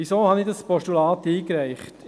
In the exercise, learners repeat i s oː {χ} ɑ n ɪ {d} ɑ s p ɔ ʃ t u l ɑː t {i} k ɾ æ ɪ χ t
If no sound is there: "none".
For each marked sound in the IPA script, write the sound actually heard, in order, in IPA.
h, d, iː

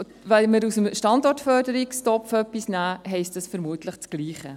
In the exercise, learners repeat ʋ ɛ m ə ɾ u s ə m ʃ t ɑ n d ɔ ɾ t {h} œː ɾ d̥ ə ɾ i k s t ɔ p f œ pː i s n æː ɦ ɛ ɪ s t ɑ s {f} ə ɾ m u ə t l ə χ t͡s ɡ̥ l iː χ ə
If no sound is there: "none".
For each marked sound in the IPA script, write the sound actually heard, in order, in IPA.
f, f

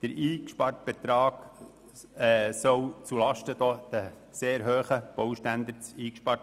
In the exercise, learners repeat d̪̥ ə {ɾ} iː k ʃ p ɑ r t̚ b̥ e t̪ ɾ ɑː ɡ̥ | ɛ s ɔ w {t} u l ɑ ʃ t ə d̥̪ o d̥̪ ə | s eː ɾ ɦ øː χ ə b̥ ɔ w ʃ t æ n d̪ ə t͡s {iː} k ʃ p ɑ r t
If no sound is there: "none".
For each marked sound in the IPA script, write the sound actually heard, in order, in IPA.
ɾ, t͡s, iː

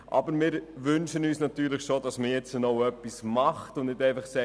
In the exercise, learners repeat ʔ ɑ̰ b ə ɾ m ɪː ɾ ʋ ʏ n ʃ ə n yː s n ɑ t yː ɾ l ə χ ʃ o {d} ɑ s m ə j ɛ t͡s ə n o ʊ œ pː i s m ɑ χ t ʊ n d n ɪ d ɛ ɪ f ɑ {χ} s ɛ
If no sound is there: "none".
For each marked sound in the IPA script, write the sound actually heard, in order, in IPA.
d, χ

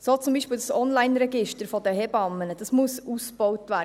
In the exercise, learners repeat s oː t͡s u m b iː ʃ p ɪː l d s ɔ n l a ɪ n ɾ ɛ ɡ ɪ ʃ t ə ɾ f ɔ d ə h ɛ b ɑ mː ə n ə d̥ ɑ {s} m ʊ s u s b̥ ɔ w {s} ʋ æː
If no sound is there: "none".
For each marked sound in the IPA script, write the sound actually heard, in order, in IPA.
s, t

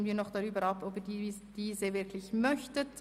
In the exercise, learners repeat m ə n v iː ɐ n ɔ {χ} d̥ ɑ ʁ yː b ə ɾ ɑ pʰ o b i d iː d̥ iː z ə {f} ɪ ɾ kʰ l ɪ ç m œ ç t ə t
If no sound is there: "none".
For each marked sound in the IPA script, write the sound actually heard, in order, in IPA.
χ, v

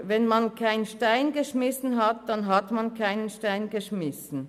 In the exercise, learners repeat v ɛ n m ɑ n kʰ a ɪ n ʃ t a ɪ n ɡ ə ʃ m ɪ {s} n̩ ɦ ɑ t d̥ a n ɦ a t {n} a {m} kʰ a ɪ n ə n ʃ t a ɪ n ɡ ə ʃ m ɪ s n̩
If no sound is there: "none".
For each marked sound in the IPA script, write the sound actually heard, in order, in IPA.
s, m, n

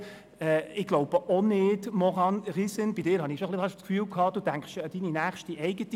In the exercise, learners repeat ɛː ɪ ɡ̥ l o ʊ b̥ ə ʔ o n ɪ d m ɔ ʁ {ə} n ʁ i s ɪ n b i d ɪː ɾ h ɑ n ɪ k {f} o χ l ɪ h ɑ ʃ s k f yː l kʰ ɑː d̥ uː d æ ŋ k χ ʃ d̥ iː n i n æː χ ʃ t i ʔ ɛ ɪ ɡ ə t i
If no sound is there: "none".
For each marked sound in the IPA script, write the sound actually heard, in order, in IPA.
ɑ, ʃ

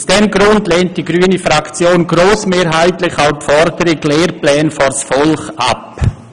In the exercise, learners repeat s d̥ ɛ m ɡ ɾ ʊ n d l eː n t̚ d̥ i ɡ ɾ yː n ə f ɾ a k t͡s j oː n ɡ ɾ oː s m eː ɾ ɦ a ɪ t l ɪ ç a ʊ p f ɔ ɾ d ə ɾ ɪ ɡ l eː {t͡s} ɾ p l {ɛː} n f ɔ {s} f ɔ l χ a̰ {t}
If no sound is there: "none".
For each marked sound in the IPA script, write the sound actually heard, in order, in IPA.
none, ɛː, s, p

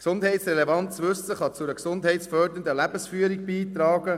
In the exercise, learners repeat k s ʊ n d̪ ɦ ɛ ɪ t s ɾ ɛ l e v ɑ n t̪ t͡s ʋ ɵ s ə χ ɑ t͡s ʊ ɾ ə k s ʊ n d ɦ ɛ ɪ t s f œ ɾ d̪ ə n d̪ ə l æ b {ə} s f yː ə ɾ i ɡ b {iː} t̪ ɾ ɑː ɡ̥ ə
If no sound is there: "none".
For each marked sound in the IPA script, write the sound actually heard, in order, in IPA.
ə, iː

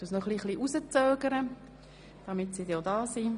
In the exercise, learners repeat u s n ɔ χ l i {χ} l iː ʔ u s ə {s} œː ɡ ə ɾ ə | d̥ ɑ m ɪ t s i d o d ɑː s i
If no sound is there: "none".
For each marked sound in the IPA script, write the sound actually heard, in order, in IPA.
χ, t͡s

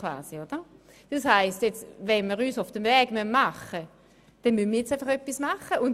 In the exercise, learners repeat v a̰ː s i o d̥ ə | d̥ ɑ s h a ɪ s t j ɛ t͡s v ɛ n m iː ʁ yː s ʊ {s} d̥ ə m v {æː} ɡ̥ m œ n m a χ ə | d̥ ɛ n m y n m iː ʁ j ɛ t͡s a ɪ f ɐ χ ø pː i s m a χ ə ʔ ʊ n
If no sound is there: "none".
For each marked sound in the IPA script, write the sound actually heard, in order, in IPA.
f, ɛː

